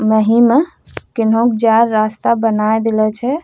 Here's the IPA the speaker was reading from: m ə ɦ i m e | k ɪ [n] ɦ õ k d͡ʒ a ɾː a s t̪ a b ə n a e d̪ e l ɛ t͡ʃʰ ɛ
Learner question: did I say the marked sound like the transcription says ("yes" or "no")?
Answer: yes